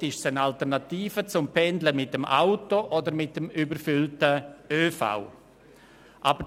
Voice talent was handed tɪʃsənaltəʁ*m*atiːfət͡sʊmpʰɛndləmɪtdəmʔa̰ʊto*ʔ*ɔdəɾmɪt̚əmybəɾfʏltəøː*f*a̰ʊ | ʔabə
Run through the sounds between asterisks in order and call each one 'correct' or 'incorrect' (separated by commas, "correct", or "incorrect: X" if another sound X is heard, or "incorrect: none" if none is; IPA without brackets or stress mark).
incorrect: n, correct, correct